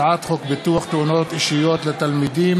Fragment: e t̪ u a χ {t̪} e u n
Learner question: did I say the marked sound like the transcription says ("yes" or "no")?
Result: yes